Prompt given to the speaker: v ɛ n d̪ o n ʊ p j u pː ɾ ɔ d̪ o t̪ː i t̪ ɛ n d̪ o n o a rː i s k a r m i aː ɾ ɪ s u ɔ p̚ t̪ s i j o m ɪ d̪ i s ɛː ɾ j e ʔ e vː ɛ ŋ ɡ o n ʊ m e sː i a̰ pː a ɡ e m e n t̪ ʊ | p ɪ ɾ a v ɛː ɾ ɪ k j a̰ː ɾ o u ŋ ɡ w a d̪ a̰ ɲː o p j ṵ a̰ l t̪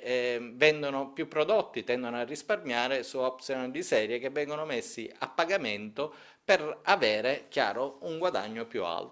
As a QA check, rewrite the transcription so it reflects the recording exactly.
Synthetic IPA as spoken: v ɛ n d̪ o n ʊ p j u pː ɾ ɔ d̪ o t̪ː i t̪ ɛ n d̪ o n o a rː i s p a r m j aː ɾ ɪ s u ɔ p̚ t̪ s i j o n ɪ d̪ i s ɛː ɾ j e k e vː ɛ ŋ ɡ o n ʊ m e sː i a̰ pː a ɡ a m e n t̪ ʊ | p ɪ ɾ a v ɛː ɾ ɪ k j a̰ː ɾ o u ŋ ɡ w a d̪ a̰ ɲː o p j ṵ a̰ l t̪

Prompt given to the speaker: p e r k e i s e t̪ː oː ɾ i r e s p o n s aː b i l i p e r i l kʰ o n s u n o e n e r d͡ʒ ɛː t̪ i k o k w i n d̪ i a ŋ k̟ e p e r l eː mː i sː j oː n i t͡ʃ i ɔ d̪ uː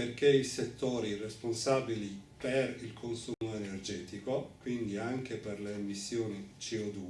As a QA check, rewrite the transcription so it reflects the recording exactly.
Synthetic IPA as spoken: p e r k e i s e t̪ː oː ɾ i r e s p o n s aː b i l i p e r i l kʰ o n s u m o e n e r d͡ʒ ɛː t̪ i k o k w i n d̪ i a ŋ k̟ e p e r l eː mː i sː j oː n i t͡ʃ i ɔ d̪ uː

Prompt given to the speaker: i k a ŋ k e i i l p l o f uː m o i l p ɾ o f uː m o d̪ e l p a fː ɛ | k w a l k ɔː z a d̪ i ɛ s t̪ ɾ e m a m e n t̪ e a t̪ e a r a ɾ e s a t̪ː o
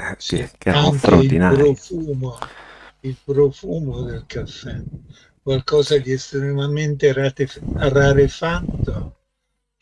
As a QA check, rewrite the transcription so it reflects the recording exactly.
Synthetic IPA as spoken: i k a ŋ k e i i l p ɾ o f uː m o i l p ɾ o f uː m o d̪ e l k a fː ɛ | k w a l k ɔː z a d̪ i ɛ s t̪ ɾ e m a m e n t̪ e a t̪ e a r a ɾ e f a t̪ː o

